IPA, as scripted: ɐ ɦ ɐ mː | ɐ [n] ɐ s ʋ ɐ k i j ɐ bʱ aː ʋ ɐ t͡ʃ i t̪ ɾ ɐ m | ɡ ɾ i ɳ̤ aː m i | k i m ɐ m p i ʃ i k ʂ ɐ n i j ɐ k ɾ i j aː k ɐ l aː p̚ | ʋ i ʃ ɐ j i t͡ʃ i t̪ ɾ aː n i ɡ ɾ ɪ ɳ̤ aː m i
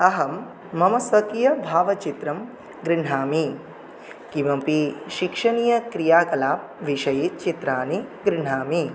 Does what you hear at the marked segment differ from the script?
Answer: yes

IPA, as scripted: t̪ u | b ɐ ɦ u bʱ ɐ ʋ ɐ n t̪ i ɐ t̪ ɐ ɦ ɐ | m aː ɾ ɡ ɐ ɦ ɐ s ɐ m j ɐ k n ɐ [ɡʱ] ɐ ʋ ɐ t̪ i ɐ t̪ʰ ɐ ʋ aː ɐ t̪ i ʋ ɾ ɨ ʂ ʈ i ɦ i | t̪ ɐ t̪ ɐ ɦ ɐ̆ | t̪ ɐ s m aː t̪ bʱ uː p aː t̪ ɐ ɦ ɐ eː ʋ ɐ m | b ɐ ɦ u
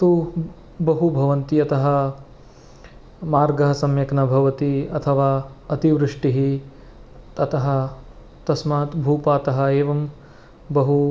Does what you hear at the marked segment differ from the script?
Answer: yes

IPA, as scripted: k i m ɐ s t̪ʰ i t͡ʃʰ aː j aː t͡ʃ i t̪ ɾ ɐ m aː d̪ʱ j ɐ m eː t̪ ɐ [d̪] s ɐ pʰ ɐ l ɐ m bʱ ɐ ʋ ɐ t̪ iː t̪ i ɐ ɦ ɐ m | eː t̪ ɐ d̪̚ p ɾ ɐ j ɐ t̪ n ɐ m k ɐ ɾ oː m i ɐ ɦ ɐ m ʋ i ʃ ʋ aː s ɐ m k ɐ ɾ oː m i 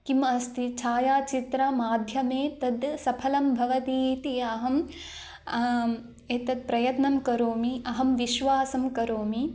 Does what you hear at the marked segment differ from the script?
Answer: no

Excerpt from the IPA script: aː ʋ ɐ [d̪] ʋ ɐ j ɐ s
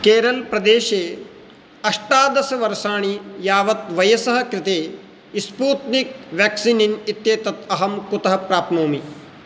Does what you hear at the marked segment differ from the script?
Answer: yes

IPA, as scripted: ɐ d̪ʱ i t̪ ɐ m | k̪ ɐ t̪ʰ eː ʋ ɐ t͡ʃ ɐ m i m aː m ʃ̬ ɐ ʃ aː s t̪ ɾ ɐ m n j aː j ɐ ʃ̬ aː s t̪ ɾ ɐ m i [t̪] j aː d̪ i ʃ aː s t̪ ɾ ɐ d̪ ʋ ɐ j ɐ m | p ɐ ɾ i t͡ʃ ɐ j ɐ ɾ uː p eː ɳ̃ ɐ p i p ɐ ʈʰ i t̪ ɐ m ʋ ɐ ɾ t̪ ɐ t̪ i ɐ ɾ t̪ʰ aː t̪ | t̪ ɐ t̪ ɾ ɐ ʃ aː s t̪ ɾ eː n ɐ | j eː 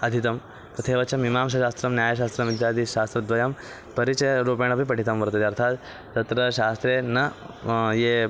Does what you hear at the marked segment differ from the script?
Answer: yes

